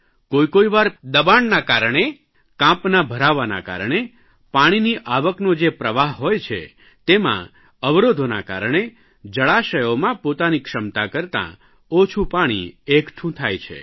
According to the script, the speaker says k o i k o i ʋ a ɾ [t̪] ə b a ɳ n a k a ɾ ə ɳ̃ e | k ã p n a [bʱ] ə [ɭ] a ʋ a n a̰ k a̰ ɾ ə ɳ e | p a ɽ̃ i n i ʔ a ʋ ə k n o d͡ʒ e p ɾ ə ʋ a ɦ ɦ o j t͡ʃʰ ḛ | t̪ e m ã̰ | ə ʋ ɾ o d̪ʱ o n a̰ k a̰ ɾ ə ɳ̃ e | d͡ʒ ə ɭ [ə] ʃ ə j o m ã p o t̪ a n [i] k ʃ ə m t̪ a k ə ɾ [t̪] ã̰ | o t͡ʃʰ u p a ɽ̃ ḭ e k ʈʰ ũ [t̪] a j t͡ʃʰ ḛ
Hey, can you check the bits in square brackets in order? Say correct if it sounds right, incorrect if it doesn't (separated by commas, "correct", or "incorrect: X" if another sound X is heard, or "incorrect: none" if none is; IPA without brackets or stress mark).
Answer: incorrect: d̪, correct, incorrect: ɾ, incorrect: a, correct, correct, incorrect: t̪ʰ